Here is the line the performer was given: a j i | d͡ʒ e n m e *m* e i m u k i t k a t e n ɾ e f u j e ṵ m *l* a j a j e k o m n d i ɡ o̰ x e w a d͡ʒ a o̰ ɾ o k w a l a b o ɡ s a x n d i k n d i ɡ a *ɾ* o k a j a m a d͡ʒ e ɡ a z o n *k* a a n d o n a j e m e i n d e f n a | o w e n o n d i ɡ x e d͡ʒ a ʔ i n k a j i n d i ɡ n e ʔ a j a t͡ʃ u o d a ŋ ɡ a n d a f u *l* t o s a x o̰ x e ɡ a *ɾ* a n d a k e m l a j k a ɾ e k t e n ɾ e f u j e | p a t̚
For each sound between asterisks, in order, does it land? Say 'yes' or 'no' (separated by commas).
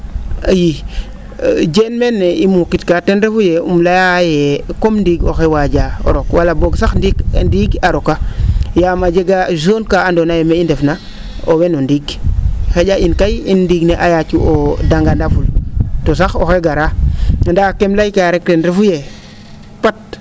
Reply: no, yes, yes, yes, yes, yes